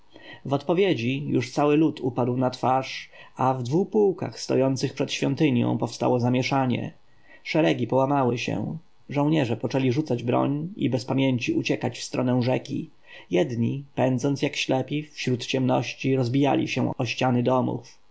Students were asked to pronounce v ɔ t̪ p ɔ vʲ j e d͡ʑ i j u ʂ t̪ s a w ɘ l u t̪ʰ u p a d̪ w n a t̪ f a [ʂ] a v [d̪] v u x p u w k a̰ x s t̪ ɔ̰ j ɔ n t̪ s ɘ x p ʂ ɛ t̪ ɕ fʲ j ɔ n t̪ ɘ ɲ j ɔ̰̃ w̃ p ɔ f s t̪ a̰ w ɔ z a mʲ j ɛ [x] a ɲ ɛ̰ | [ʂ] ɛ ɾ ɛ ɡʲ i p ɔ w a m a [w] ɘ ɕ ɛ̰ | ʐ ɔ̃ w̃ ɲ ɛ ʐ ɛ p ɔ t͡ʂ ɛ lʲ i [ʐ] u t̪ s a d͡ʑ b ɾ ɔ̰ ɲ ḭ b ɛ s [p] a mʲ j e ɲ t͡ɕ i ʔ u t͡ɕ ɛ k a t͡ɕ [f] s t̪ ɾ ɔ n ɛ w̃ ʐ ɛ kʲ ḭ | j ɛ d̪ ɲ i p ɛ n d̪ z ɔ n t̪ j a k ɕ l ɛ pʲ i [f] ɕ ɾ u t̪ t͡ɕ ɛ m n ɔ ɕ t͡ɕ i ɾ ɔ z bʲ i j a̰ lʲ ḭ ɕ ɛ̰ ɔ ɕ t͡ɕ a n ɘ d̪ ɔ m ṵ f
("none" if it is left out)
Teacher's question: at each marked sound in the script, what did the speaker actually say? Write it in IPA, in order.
ʂ, d̪, ʂ, ʂ, w, ʐ, p, f, f

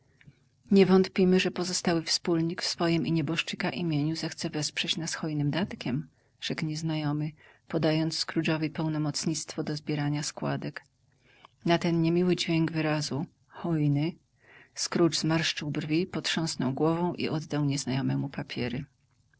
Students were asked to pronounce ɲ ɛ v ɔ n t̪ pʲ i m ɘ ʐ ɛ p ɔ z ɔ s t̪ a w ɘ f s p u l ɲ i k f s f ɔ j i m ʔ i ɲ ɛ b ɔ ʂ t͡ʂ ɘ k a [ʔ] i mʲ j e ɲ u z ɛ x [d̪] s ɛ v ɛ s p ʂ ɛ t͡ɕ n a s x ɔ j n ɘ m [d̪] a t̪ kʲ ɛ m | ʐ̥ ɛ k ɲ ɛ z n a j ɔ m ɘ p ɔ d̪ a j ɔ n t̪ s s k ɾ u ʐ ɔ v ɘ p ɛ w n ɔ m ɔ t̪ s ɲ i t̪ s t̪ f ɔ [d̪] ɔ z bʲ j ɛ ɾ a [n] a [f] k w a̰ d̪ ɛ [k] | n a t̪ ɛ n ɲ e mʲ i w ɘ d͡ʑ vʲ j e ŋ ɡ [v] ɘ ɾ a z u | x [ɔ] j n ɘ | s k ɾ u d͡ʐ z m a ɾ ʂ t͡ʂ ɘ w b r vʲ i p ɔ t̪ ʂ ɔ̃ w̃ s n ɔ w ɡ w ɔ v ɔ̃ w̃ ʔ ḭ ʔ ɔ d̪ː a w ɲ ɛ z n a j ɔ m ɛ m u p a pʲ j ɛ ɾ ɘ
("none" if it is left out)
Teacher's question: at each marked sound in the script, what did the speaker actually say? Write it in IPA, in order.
ʔ, t̪, d̪, d̪, ɲ, s, k, v, ɔ

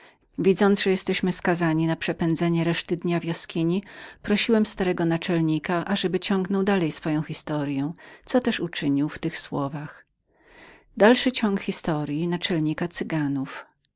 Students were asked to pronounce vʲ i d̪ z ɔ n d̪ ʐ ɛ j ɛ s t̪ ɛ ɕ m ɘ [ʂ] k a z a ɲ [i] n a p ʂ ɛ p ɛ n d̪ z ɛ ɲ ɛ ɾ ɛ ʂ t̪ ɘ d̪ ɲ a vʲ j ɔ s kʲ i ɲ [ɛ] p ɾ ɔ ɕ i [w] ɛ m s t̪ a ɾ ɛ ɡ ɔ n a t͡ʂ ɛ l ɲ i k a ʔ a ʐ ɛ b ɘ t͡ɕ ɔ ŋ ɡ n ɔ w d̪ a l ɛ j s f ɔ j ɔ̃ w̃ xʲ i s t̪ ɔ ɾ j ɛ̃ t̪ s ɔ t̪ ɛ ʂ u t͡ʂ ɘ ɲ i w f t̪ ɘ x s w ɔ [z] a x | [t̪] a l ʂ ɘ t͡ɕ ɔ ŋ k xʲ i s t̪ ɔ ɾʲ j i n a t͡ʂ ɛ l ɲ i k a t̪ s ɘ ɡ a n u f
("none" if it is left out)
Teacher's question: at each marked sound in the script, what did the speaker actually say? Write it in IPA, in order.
s, i, i, w, v, d̪

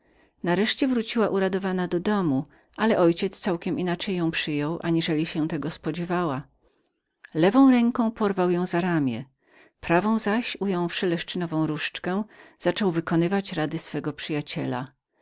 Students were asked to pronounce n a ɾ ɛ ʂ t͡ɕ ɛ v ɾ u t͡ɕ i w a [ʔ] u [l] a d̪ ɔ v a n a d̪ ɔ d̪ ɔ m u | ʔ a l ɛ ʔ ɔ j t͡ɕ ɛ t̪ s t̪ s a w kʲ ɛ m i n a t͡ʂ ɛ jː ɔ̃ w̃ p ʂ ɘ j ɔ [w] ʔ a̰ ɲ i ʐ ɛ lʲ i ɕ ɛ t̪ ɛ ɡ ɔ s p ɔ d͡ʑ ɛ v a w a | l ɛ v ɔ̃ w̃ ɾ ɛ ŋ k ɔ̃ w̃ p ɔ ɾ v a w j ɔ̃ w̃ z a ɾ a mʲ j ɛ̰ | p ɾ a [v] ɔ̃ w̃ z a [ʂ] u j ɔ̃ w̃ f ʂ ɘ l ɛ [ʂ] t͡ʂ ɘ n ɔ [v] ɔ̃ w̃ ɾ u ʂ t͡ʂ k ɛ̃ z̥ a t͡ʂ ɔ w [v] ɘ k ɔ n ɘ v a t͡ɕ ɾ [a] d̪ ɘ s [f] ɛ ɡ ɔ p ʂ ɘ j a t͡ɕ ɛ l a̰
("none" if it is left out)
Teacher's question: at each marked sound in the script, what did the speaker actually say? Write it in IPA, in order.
ʔ, ɾ, w, v, ɕ, ʂ, v, v, a, f

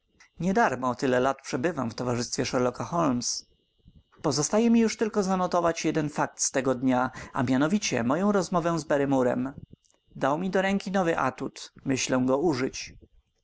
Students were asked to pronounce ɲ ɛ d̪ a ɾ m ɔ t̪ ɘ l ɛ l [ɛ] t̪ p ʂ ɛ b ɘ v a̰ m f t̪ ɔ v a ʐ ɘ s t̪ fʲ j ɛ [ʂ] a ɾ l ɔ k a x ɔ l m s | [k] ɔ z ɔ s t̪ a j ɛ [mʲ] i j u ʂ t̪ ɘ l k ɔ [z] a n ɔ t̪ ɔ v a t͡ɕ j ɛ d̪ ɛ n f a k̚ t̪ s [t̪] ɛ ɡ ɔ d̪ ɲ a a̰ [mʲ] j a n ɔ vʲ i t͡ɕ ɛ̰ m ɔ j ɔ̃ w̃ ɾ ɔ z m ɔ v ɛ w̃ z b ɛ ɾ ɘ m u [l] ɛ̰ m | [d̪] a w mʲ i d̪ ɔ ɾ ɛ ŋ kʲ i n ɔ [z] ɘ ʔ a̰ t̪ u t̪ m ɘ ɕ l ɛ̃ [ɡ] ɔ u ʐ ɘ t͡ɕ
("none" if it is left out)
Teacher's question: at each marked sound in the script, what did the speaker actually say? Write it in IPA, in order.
a, ʂ, p, mʲ, z, t̪, mʲ, ɾ, d̪, v, ɡ

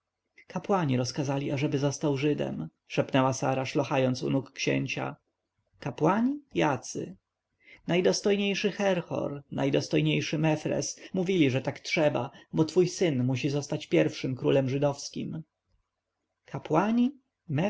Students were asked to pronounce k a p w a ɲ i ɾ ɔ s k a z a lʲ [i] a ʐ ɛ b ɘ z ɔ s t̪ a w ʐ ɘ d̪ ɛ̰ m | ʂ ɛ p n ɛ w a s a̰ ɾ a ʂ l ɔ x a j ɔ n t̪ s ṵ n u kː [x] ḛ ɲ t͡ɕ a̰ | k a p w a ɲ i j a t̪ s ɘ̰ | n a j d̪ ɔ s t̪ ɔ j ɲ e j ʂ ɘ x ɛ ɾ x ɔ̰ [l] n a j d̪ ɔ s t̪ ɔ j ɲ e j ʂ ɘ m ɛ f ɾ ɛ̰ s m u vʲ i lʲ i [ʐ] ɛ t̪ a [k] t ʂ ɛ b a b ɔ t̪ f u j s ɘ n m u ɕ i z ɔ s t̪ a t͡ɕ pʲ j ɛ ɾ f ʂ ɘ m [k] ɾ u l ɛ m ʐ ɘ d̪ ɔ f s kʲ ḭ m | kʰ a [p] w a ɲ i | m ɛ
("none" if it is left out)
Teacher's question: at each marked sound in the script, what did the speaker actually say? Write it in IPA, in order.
i, ɕ, ɾ, ʐ, k, k, p

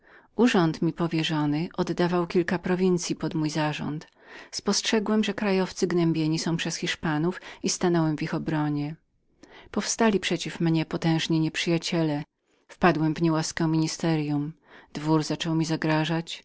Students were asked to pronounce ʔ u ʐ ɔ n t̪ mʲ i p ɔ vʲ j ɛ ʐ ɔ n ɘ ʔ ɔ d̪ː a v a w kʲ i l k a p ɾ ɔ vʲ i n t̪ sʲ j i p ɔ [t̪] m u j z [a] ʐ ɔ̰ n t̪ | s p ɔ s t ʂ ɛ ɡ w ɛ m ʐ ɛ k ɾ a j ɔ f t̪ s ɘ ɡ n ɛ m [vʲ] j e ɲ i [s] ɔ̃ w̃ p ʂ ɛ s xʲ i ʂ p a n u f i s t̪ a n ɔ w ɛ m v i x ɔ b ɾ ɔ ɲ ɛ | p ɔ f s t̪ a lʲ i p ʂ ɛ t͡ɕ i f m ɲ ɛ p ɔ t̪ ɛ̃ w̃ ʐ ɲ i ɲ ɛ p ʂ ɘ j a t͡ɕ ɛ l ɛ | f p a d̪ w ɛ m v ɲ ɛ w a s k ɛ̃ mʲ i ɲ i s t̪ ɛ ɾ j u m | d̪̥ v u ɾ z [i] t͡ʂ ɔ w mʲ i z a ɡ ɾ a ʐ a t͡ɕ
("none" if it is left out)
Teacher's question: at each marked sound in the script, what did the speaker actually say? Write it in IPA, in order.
d̪, a, bʲ, s, a

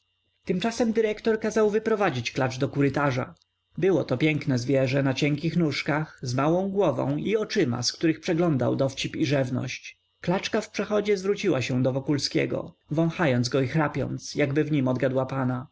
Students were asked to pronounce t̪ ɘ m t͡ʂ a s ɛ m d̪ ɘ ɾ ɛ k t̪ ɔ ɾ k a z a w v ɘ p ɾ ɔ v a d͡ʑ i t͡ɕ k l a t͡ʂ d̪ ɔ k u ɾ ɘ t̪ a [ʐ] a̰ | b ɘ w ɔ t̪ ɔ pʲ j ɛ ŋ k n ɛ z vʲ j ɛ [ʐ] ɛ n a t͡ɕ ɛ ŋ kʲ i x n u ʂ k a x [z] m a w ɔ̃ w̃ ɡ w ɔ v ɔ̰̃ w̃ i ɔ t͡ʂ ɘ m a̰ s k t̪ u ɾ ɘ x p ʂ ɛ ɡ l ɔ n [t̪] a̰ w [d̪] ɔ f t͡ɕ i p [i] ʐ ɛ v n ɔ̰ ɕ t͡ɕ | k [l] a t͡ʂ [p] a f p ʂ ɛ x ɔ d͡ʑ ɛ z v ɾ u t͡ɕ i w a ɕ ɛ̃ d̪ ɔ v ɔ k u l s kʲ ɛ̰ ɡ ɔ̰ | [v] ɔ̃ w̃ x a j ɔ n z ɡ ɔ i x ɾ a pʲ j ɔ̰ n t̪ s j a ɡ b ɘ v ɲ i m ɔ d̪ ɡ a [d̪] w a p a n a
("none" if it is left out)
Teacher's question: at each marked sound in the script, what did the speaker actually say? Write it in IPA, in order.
ʐ, ʐ, z, d̪, d̪, i, l, k, v, d̪

